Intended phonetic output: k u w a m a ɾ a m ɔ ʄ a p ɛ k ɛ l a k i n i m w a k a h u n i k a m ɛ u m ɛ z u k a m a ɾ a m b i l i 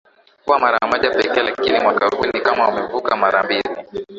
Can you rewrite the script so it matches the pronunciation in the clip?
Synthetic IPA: k u w a m a ɾ a m ɔ ʄ a p ɛ k ɛ l a k i n i m w a k a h u n i k a m a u m ɛ v u k a m a ɾ a m b i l i